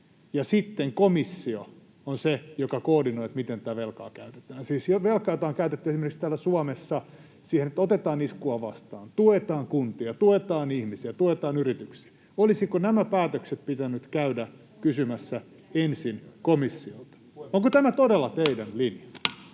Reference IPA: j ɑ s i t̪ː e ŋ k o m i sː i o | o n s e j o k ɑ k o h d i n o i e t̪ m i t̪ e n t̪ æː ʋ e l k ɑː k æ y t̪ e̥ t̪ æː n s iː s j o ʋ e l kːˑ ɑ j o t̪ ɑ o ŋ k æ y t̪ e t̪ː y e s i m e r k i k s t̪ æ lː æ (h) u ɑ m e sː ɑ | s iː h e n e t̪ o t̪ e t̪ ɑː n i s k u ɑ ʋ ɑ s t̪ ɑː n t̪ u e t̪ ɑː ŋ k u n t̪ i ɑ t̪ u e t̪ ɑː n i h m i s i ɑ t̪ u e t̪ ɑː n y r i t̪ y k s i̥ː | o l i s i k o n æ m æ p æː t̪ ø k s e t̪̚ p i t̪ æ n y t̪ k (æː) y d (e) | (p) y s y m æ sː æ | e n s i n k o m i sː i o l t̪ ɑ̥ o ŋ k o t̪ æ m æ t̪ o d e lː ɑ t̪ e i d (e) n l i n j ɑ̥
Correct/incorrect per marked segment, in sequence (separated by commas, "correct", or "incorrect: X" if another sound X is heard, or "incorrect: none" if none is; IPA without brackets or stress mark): incorrect: s, incorrect: æ, incorrect: æ, incorrect: k, incorrect: æ